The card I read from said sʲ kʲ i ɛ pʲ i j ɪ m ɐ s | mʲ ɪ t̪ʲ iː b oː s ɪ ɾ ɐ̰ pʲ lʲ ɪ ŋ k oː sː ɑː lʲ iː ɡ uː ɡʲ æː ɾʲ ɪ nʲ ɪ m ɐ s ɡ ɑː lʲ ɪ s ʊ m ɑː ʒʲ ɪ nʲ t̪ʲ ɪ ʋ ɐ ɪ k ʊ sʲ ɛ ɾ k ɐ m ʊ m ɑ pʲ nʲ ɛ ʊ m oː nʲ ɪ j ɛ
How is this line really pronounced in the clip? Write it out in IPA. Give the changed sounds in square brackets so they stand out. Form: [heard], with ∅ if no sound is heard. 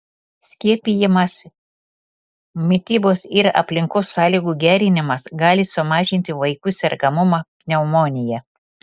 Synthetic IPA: sʲ kʲ i ɛ pʲ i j ɪ m ɐ s | mʲ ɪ t̪ʲ iː b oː s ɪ ɾ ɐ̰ pʲ lʲ ɪ ŋ k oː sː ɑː lʲ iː ɡ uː ɡʲ æː ɾʲ ɪ nʲ ɪ m ɐ s ɡ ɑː lʲ ɪ s ʊ m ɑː ʒʲ ɪ nʲ t̪ʲ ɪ ʋ ɐ ɪ k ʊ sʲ ɛ ɾ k ɐ m ʊ m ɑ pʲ nʲ ɛ ʊ m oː nʲ ɪ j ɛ